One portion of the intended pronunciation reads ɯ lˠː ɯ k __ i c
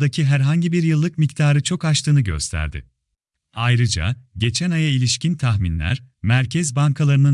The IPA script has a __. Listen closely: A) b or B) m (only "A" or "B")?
B